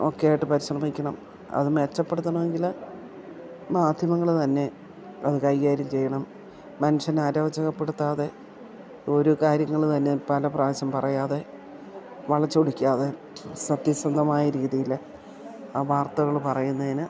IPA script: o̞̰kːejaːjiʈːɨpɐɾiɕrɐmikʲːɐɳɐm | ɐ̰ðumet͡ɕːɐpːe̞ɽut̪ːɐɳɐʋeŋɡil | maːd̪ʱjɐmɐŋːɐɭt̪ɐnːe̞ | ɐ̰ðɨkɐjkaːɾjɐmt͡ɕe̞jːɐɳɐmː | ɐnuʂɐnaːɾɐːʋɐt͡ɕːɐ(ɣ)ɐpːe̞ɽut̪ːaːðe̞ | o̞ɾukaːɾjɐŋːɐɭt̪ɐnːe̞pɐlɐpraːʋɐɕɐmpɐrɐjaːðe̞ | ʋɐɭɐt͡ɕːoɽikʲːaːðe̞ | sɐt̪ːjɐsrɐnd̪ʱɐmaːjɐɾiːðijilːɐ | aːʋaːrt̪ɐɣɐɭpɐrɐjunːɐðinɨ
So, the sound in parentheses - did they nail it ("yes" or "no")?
yes